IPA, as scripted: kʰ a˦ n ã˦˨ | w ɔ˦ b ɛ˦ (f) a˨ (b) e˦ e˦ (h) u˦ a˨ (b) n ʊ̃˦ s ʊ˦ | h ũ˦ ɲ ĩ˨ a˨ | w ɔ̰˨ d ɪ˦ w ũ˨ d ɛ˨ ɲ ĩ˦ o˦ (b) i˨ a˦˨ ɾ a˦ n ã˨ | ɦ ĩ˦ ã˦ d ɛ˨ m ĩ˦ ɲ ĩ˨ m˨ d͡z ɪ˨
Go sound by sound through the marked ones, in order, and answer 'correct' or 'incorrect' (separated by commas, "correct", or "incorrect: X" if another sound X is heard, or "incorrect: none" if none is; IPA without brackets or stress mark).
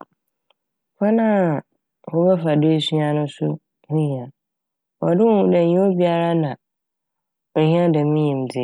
correct, incorrect: d, incorrect: s, incorrect: none, correct